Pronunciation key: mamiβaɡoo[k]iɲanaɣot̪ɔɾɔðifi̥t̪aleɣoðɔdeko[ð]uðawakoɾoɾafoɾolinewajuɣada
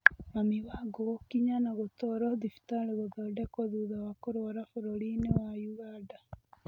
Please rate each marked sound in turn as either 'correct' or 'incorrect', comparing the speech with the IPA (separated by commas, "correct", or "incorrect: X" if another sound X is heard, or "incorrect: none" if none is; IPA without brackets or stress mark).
correct, correct